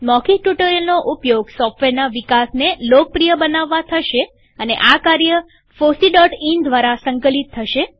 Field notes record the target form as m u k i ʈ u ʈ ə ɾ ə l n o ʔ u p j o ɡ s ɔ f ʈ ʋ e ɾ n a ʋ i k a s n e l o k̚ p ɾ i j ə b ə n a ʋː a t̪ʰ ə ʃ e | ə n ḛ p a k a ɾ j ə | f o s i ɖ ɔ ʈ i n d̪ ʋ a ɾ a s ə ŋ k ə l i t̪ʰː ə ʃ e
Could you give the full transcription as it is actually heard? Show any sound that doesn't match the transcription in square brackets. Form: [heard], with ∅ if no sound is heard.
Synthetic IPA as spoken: m [ɔ] k i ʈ u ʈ ə ɾ ə l n o ʔ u p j o ɡ s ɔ f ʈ ʋ e ɾ n a ʋ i k a s n e l o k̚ p ɾ i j ə b ə n a ʋː a t̪ʰ ə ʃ e | ə n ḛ [ʔ] a k a ɾ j ə | f o s i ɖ ɔ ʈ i n d̪ ʋ a ɾ a s ə ŋ k ə l i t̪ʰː ə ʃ e